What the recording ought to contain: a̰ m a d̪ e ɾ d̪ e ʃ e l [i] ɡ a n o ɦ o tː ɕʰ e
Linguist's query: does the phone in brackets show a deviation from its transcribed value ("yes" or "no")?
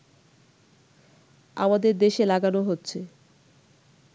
yes